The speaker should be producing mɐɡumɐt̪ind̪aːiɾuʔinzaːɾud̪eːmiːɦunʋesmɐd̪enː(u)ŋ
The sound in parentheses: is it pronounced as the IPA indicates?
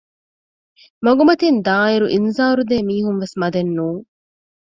no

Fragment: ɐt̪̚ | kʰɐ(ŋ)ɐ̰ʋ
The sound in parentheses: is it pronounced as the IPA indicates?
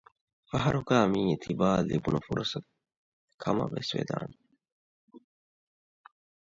no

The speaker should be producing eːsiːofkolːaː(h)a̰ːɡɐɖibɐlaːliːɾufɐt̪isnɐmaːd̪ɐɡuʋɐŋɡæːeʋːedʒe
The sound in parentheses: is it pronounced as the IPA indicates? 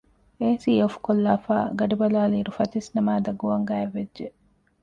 no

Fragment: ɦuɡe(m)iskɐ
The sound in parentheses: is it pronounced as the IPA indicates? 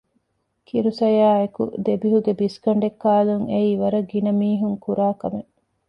no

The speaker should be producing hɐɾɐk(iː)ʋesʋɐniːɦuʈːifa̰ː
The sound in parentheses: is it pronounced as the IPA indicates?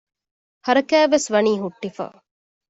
no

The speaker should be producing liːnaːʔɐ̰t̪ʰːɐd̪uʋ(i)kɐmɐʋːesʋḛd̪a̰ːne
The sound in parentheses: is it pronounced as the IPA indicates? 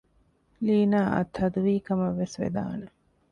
no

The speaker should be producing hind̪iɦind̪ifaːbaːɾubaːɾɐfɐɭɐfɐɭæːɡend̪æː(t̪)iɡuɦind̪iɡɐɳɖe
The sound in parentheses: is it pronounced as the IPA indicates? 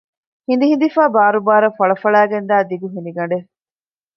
no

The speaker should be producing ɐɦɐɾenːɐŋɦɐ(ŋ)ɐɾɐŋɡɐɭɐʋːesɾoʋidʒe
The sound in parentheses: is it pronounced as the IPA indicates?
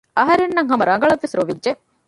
no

